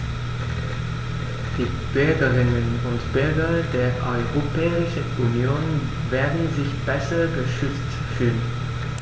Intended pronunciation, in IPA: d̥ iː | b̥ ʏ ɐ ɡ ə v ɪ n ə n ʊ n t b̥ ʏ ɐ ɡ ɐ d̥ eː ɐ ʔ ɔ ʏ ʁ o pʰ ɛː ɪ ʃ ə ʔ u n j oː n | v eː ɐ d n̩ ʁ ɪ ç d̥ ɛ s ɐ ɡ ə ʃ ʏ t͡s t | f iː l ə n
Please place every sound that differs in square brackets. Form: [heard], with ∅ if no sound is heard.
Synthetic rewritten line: d̥ iː | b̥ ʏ ɐ ɡ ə [ʁ] ɪ n ə n ʊ n t b̥ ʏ ɐ ɡ ɐ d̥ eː ɐ ʔ ɔ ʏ ʁ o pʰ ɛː ɪ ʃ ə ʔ u n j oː n | v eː ɐ d n̩ [z] ɪ ç [b̥] ɛ s ɐ ɡ ə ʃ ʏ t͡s t | f [yː] l ə n